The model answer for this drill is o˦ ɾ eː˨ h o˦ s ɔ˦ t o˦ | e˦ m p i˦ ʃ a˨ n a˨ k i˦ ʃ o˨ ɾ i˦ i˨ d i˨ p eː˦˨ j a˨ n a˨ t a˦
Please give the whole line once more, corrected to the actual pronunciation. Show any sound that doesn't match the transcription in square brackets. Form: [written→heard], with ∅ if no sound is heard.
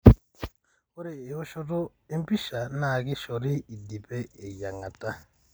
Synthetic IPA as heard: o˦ ɾ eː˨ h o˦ [s→ʃ] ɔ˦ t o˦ | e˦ m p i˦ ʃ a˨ n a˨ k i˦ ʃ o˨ ɾ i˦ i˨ d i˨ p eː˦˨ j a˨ [n→ŋ] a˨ t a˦